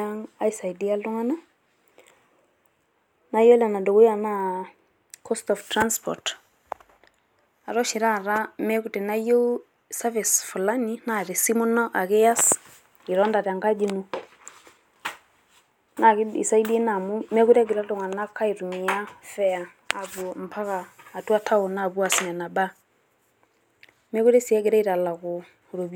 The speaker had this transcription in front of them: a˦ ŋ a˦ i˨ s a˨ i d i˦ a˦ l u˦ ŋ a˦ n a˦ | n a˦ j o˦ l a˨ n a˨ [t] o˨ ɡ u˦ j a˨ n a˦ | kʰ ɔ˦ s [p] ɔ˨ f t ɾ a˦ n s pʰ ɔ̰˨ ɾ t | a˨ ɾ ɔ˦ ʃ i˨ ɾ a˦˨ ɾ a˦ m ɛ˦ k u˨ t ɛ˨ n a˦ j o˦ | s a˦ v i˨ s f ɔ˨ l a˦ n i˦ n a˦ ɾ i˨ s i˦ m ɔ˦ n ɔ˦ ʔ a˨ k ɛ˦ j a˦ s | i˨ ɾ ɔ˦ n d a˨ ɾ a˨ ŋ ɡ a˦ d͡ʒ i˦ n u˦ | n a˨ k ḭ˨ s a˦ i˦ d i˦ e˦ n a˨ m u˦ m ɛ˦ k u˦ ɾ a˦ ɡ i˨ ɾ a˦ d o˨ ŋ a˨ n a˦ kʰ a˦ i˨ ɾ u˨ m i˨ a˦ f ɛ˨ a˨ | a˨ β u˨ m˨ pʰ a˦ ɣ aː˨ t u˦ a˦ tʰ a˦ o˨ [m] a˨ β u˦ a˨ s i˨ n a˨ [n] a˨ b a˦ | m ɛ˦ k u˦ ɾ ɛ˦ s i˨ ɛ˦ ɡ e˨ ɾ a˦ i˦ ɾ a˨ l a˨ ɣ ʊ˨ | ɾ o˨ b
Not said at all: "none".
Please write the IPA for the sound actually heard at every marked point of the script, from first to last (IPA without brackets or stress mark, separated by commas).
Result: d, t, n, n